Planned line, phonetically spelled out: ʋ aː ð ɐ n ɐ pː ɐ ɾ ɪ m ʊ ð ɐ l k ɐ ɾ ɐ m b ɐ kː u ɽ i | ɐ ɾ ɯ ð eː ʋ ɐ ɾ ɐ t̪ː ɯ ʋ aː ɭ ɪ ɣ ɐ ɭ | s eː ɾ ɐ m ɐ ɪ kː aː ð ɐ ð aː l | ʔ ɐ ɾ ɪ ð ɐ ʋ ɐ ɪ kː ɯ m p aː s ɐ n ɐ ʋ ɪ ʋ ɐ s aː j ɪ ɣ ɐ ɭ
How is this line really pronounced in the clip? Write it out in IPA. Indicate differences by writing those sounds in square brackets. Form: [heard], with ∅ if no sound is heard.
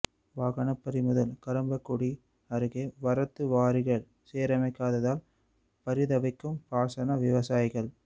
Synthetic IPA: ʋ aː [ɣ] ɐ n ɐ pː ɐ ɾ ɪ m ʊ ð ɐ l k ɐ ɾ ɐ m b ɐ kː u ɽ i | ɐ ɾ ɯ [ɣ] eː ʋ ɐ ɾ ɐ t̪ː ɯ ʋ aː [ɾ] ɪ ɣ ɐ ɭ | s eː ɾ ɐ m ɐ ɪ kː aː ð ɐ ð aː l | [p] ɐ ɾ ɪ ð ɐ ʋ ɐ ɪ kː ɯ m p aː s ɐ n ɐ ʋ ɪ ʋ ɐ s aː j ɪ ɣ ɐ ɭ